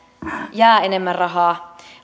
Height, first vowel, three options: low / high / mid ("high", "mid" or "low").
low